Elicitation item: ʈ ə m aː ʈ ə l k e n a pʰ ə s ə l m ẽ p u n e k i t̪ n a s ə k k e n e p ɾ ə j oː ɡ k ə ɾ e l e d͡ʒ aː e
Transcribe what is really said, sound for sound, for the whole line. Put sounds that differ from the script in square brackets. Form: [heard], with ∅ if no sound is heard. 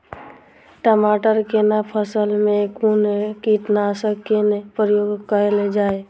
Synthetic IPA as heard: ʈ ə m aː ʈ ə [ɾ] k e n a pʰ ə s ə l m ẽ [k] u n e k i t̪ n a s ə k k e n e p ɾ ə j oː ɡ k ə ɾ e l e d͡ʒ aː e